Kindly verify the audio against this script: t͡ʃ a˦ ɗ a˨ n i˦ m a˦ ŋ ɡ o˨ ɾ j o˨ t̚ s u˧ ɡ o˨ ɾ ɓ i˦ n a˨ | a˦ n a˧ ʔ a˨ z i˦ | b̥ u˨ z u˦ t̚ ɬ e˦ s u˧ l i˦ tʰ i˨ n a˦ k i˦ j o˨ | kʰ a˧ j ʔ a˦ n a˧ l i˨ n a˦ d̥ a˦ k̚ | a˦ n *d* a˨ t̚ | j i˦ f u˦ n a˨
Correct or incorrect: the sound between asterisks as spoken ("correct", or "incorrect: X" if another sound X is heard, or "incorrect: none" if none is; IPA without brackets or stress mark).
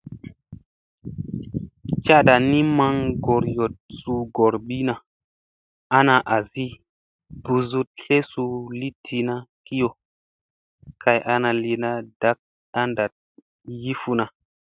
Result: correct